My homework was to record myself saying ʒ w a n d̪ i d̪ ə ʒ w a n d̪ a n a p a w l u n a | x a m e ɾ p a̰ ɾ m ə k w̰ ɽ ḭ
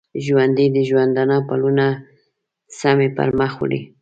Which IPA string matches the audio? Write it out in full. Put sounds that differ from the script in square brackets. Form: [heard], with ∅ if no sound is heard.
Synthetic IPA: ʒ w a n d̪ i d̪ ə ʒ w a n d̪ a n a p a [∅] l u n a | [s] a m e [∅] p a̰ ɾ m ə [x] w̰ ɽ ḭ